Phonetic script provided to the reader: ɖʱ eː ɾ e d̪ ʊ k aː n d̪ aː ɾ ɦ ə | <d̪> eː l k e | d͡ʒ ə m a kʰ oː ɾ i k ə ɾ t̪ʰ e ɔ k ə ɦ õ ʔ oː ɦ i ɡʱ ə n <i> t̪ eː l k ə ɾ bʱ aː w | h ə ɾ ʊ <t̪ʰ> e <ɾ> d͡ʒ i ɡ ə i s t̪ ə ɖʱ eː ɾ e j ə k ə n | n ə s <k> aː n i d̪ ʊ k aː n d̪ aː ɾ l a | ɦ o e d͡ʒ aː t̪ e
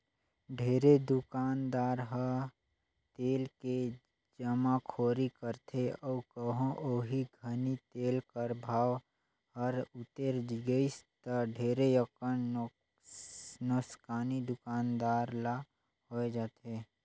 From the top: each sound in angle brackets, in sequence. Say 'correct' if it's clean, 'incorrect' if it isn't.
incorrect: t̪, correct, incorrect: t̪, correct, correct

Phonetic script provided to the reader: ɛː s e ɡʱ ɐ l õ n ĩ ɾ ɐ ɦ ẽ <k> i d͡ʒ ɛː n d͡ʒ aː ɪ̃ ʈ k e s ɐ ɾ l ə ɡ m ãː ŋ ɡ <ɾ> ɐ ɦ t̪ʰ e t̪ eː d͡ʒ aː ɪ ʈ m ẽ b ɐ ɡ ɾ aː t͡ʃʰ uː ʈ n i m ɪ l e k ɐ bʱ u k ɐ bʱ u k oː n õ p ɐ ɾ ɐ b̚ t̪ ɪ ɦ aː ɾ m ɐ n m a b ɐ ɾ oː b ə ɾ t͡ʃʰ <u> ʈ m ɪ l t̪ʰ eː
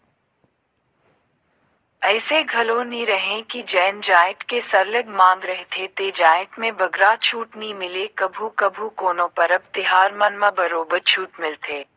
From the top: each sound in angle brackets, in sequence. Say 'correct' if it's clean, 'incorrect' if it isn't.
correct, correct, incorrect: uː

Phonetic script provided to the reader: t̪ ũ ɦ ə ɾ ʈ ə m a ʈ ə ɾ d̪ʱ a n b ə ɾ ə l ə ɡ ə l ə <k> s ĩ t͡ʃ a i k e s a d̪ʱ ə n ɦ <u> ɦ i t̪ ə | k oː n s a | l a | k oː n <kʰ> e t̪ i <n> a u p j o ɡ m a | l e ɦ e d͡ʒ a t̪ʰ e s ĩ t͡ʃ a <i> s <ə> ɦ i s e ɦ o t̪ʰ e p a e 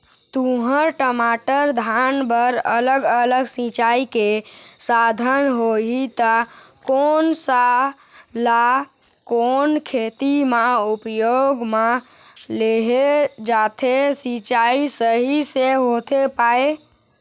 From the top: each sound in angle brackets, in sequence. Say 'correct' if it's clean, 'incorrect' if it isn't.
incorrect: ɡ, incorrect: o, correct, incorrect: m, correct, correct

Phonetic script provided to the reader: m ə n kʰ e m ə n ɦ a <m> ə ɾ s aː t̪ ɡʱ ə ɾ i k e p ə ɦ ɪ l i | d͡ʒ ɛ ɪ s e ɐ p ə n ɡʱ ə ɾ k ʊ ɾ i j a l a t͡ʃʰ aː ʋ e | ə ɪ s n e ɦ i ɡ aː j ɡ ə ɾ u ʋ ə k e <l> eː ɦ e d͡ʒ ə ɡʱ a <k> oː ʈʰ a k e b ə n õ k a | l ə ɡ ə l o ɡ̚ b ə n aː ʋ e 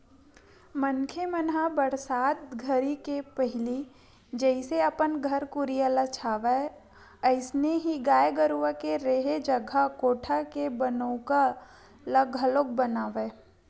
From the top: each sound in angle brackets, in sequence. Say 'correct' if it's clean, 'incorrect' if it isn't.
incorrect: b, incorrect: ɾ, correct

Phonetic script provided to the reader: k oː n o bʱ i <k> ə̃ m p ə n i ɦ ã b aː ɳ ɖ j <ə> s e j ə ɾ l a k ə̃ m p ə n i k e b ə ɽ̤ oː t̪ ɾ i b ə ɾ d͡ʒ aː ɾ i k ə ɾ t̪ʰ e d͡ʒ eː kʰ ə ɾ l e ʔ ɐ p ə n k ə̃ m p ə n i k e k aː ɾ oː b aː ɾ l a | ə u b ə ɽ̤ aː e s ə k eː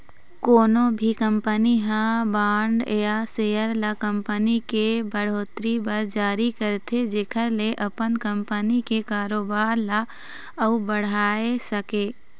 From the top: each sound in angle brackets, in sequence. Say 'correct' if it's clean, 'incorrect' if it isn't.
correct, incorrect: a

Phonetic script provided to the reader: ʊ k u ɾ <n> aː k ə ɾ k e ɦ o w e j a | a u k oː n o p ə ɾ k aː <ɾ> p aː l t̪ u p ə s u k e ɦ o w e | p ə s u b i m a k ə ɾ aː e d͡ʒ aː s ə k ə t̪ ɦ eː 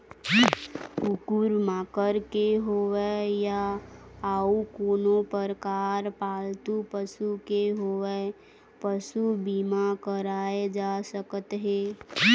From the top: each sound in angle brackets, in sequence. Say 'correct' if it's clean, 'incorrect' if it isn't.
incorrect: m, correct

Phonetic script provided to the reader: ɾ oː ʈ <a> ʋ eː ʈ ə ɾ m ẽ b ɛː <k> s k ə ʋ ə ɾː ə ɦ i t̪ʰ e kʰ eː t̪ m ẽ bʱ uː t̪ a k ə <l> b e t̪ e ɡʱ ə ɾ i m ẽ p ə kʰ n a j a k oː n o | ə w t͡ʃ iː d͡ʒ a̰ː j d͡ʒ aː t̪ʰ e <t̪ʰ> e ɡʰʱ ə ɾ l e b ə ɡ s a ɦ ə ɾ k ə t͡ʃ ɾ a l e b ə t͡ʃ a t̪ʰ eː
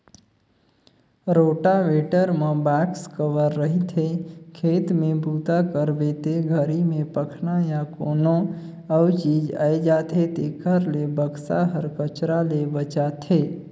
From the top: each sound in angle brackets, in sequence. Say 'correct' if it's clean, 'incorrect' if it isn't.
correct, correct, incorrect: ɾ, incorrect: t̪

